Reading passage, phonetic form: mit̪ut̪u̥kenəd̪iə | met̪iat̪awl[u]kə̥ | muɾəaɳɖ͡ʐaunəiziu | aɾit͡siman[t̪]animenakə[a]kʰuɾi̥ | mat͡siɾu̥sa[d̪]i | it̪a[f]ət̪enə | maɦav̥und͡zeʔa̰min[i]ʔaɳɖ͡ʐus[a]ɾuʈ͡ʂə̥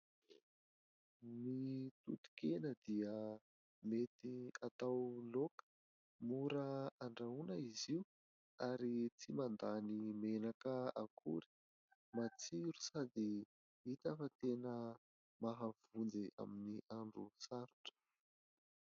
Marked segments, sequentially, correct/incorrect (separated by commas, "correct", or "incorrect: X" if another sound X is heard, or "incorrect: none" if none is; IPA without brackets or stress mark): incorrect: o, incorrect: d̪, correct, correct, correct, correct, correct